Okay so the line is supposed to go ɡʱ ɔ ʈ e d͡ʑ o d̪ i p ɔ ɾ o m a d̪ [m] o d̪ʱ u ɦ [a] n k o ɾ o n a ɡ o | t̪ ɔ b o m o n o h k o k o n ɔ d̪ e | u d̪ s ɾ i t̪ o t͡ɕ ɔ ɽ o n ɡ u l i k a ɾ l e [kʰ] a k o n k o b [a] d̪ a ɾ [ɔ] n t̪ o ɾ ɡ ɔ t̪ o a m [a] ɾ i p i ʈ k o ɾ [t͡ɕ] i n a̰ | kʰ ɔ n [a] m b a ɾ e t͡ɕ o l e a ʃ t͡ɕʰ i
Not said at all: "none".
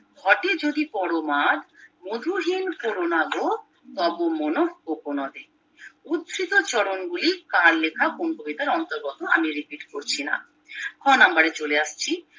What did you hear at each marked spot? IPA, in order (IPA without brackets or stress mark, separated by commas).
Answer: m, i, kʰ, i, ɔ, i, t͡ɕʰ, a